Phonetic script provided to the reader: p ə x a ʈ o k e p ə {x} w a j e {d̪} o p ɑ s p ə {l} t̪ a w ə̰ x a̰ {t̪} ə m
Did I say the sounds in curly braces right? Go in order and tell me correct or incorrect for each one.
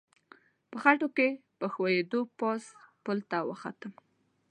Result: correct, correct, correct, correct

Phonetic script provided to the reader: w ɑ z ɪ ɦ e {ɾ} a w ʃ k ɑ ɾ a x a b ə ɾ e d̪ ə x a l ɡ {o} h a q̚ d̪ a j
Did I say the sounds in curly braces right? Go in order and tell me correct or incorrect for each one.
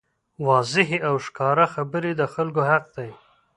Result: incorrect, correct

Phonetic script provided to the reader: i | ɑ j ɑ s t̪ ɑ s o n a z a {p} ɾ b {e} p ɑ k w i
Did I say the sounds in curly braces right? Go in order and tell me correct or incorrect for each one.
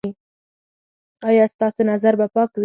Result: incorrect, incorrect

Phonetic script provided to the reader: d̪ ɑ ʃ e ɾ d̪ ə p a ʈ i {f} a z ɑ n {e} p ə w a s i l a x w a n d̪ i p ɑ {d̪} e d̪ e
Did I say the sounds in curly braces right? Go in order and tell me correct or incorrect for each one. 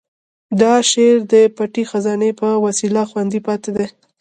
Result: incorrect, correct, incorrect

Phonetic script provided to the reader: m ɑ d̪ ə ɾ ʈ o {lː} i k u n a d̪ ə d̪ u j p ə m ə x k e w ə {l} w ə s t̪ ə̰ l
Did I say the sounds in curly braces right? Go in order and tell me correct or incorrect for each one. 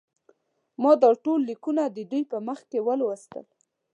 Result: correct, correct

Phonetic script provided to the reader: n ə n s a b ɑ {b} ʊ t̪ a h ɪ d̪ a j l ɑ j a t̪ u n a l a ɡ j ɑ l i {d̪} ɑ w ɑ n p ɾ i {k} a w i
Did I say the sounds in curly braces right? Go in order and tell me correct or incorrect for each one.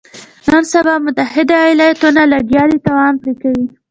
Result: incorrect, incorrect, correct

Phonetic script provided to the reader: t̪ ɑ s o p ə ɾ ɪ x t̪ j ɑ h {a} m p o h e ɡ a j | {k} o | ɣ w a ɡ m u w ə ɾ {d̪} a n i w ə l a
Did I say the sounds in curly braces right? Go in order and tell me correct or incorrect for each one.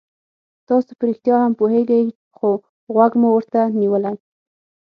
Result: correct, incorrect, incorrect

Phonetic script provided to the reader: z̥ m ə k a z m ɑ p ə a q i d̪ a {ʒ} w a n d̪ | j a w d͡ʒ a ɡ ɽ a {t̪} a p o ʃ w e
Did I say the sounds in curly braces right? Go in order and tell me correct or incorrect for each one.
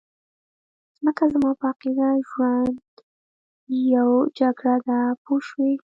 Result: correct, incorrect

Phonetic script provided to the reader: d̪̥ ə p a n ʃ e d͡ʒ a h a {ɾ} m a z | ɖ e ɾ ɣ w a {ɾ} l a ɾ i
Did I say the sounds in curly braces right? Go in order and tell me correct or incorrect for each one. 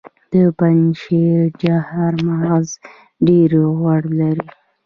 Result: correct, incorrect

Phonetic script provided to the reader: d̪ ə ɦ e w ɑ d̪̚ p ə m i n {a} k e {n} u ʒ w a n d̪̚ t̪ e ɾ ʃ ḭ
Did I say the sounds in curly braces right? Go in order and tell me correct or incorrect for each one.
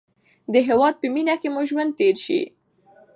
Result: correct, incorrect

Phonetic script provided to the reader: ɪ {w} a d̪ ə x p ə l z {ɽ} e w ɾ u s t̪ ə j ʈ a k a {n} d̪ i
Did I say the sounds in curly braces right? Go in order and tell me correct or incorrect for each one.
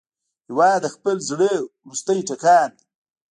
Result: correct, correct, correct

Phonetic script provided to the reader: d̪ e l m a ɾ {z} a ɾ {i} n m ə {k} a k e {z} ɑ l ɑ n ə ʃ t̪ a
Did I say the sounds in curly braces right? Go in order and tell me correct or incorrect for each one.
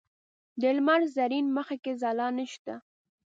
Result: correct, correct, incorrect, correct

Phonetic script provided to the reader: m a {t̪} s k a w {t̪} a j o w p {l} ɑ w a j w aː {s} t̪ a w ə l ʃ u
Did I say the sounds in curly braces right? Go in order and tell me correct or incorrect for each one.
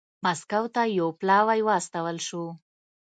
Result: incorrect, correct, correct, correct

